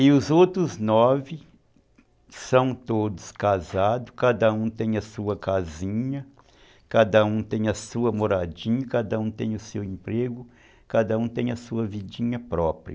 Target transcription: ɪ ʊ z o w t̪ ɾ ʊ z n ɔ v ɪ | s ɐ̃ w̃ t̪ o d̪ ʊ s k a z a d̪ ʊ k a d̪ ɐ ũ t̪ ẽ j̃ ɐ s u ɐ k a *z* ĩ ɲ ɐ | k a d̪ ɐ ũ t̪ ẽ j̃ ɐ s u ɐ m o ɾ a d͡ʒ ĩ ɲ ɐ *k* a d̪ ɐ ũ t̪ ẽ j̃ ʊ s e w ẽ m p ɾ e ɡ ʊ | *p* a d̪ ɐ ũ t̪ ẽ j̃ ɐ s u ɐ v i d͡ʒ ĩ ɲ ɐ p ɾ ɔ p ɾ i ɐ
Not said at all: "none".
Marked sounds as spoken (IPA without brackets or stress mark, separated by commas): z, k, k